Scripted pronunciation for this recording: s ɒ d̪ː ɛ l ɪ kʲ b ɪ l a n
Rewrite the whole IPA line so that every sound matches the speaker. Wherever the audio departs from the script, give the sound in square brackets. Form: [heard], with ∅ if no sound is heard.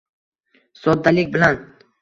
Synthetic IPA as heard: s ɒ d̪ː [a] l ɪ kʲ b ɪ l a n